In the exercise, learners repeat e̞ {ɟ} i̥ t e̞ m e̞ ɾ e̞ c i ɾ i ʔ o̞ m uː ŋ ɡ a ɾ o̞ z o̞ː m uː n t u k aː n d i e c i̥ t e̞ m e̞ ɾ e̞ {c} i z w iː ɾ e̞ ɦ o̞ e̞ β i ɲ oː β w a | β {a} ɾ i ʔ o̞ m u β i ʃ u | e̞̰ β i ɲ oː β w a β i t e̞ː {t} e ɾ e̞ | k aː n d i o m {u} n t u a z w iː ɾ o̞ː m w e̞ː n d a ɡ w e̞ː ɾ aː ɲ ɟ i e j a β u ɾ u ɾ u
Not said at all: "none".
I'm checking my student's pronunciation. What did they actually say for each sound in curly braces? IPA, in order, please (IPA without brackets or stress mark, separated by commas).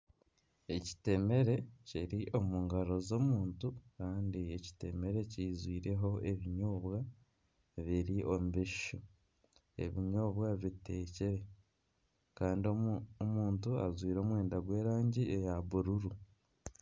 c, c, i, c, uː